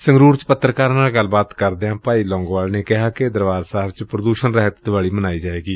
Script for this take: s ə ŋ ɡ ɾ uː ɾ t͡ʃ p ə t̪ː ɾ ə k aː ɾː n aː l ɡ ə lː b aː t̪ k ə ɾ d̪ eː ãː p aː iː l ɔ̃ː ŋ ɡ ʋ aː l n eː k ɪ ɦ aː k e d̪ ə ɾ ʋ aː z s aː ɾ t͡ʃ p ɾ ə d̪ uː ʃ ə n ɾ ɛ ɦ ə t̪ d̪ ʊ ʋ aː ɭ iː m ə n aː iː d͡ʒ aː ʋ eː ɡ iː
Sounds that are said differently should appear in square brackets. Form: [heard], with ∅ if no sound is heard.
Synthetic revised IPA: s ə ŋ ɡ ɾ uː ɾ t͡ʃ p ə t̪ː ɾ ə k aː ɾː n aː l ɡ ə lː b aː t̪ k ə ɾ d̪ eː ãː p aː iː l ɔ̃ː ŋ ɡ ʋ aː l n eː k ɪ ɦ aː k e d̪ ə ɾ ʋ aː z s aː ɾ t͡ʃ p ɾ ə d̪ uː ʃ ə n ɾ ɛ ɦ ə t̪ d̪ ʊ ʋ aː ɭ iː m ə n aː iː d͡ʒ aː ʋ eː ɡ iː